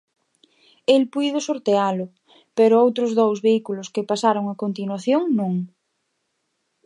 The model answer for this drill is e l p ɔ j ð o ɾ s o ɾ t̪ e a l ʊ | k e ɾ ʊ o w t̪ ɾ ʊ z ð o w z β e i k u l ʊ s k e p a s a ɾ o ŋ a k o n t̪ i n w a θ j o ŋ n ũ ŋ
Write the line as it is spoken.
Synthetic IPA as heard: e l p u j ð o s o ɾ t̪ e a l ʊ | p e ɾ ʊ o w t̪ ɾ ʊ z ð o w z β e i k u l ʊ s k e p a s a ɾ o ŋ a k o n t̪ i n w a θ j o ŋ n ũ ŋ